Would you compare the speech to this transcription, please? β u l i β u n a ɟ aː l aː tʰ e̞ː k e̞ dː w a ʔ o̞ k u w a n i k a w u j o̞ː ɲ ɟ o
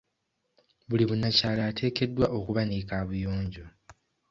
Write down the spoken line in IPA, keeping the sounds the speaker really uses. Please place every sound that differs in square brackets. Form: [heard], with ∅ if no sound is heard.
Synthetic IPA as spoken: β u l i β u n a [c] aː l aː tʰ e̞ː k e̞ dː w a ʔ o̞ k u [β] a n i k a [β] u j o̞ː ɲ ɟ o

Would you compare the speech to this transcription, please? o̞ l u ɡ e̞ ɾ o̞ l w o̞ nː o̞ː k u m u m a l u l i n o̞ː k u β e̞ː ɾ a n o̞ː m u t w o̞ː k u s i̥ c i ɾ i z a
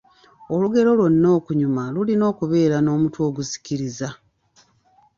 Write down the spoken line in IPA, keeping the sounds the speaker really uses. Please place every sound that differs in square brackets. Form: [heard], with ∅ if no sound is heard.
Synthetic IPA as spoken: o̞ l u ɡ e̞ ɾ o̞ l w o̞ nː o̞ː k u [ɲ] u m a l u l i n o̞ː k u β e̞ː ɾ a n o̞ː m u t w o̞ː [ɡ] u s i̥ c i ɾ i z a

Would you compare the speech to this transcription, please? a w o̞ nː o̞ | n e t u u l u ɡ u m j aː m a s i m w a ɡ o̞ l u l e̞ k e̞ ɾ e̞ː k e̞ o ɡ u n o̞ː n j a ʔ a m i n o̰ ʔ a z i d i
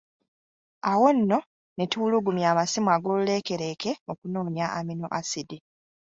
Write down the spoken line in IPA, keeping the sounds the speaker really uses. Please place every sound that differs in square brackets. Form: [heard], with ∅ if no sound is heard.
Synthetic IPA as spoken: a w o̞ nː o̞ | n e t u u l u ɡ u m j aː m a s i m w a ɡ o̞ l u l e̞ k e̞ ɾ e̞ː k e̞ o [k] u n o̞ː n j a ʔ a m i n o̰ ʔ a [s] i d i

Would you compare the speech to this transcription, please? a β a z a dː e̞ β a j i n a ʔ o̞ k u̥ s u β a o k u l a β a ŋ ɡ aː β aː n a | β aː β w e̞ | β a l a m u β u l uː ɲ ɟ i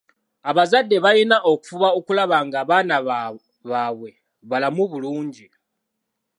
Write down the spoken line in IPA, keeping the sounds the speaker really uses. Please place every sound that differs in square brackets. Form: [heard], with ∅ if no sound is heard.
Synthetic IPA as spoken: a β a z a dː e̞ β a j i n a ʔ o̞ k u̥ [f] u β a o k u l a β a ŋ ɡ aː β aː n a | β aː β w e̞ | β a l a m u β u l uː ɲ ɟ i

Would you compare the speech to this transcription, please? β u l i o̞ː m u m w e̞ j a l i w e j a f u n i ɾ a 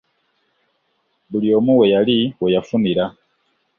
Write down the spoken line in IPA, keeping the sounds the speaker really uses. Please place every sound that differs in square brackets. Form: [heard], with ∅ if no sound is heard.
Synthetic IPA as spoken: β u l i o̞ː m u [∅] w e̞ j a l i w e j a f u n i ɾ a

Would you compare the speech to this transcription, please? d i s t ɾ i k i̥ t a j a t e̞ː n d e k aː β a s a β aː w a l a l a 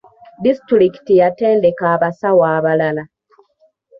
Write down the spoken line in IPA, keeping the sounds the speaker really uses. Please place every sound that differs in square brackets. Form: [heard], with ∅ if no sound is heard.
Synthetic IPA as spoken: d i s t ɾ i k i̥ t [i] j a t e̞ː n d e k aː β a s a [w] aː [β] a l a l a

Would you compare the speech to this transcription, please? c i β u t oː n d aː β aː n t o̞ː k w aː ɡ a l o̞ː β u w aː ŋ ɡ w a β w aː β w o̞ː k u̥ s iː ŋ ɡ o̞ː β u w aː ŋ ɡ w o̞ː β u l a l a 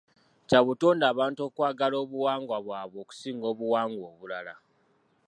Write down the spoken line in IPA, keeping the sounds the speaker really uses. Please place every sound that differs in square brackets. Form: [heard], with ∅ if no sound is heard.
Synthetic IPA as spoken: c [a] β u t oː n d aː β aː n t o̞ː k w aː ɡ a l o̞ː β u w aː ŋ ɡ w a β w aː β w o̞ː k u̥ s iː ŋ ɡ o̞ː β u w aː ŋ ɡ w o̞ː β u l a l a

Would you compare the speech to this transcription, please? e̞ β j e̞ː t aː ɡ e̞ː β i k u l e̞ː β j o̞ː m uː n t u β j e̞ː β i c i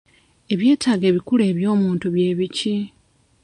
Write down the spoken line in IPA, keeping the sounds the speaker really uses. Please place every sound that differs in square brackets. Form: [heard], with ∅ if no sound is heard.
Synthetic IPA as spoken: e̞ β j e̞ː t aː ɡ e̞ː β i k u l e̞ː β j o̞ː m uː n t u β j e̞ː β i c i

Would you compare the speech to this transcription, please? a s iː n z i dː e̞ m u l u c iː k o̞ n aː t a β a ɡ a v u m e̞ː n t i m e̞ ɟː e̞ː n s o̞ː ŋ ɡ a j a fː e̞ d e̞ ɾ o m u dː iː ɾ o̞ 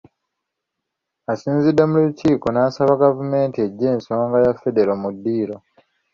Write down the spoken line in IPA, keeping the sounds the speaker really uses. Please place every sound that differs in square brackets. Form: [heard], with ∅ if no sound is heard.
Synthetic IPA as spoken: a s iː n z i dː e̞ m u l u c iː k o̞ n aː [s] a β a ɡ a v u m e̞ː n t i [∅] e̞ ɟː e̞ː n s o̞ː ŋ ɡ a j a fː e̞ d e̞ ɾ o m u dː iː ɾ o̞

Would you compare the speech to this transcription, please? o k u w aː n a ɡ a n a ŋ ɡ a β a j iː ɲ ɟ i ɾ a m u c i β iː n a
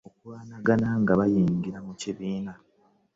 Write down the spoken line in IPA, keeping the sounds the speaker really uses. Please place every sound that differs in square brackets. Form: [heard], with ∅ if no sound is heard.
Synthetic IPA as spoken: o k u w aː n a ɡ a n a ŋ ɡ a β a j iː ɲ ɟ i ɾ a m u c i β iː n a

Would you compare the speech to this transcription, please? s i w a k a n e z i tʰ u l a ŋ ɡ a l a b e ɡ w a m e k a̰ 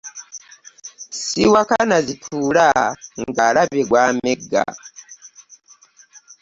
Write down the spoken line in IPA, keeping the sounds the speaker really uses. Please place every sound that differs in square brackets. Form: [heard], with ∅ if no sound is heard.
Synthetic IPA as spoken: s i w a k a n [a] z i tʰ u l a ŋ ɡ a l a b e ɡ w a m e [ɡ] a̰

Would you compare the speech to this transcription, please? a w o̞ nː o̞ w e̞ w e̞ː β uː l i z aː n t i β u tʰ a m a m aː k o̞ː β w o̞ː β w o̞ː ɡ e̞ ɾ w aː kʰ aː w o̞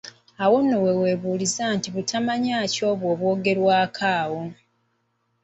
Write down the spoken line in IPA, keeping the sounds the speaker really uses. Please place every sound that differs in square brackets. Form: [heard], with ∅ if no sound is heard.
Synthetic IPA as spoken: a w o̞ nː o̞ w e̞ w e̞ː β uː l i z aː n t i β u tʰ a m a [ɲ] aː [c] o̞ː β w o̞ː β w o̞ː ɡ e̞ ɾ w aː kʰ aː w o̞

